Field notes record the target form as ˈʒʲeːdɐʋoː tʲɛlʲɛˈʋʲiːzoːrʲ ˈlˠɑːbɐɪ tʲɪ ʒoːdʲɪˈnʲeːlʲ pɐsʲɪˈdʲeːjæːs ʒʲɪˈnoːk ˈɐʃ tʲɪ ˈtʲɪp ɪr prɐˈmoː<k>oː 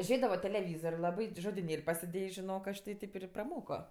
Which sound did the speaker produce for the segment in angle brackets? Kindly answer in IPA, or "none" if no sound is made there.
k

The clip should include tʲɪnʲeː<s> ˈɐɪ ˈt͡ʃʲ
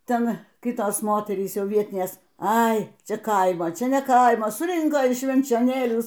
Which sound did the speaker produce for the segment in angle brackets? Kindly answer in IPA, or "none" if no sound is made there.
s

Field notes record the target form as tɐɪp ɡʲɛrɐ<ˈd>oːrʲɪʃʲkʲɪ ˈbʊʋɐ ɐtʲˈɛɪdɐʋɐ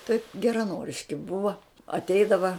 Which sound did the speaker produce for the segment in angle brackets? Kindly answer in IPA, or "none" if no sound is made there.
n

